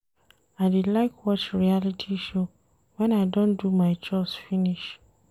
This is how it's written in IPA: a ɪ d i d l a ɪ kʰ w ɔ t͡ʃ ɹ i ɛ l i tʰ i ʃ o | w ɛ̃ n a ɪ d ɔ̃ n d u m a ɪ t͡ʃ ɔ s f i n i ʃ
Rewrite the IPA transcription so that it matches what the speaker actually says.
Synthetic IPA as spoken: a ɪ d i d l a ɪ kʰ w ɔ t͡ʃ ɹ i a l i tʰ i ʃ o | w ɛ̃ n a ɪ d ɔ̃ n d u m a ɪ t͡ʃ ɔ s f i n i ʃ